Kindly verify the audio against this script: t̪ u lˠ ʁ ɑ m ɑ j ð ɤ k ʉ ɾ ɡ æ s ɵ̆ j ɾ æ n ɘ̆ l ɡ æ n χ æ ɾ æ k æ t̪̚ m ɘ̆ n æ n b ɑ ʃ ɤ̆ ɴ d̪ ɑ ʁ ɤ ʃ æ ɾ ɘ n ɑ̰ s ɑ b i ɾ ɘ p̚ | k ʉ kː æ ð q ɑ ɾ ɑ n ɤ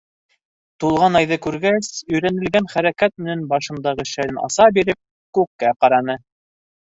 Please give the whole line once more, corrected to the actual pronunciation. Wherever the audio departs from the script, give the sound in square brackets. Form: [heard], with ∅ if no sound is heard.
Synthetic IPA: t̪ u lˠ ʁ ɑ [n] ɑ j ð ɤ k ʉ ɾ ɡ æ s ɵ̆ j ɾ æ n ɘ̆ l ɡ æ n χ æ ɾ æ k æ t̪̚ m ɘ̆ n æ n b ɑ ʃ ɤ̆ [n] d̪ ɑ ʁ ɤ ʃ æ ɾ ɘ n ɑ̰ s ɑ b i ɾ ɘ p̚ | k ʉ kː æ [∅] q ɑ ɾ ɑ n ɤ